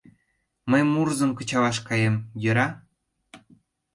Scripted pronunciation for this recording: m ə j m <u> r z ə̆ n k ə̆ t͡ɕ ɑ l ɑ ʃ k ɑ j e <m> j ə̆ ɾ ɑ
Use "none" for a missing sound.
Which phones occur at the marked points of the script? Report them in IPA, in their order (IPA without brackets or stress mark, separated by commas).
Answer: u, m